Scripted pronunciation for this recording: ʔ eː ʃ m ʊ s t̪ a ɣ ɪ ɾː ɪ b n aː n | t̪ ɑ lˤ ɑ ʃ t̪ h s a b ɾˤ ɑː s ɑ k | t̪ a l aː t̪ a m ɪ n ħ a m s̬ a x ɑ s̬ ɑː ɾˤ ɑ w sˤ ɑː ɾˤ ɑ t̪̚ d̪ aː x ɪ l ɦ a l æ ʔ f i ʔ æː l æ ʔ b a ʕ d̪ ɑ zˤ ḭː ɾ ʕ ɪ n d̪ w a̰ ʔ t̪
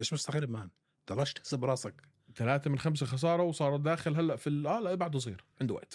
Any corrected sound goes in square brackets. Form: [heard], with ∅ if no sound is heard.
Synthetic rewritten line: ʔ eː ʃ m ʊ s t̪ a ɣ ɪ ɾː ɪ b [m] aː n | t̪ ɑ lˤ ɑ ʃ t̪ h s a b ɾˤ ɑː s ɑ k | t̪ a l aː t̪ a m ɪ n [x] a m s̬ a x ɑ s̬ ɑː ɾˤ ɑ w sˤ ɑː ɾˤ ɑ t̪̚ d̪ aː x ɪ l ɦ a [lː] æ ʔ f i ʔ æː l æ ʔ b a ʕ d̪ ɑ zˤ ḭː ɾ ʕ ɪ n d̪ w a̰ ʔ t̪